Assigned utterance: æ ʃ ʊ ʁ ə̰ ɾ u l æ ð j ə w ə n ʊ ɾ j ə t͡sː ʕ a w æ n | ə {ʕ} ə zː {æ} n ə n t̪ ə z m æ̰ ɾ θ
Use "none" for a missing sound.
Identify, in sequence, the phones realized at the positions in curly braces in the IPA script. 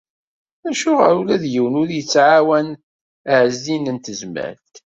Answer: ʕ, i

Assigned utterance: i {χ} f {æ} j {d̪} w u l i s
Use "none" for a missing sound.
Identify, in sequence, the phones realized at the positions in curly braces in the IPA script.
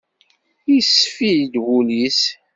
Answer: s, i, d̪

